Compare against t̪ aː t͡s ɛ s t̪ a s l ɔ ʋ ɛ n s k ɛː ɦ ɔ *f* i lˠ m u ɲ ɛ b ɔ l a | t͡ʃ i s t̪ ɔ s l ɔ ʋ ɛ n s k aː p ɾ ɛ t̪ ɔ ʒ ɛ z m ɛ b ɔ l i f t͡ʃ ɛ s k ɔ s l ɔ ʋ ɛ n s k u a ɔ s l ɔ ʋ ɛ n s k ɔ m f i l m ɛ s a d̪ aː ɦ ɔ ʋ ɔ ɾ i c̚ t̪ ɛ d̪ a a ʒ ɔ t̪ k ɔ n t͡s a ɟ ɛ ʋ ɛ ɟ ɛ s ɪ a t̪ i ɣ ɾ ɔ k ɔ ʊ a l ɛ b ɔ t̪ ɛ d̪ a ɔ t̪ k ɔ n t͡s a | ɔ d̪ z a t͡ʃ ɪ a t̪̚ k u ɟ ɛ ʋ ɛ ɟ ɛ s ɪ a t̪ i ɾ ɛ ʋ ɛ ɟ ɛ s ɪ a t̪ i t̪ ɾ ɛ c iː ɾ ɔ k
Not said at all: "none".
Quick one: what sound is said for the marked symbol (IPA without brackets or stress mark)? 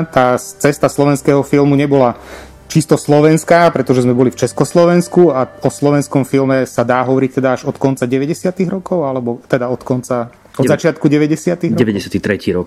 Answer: f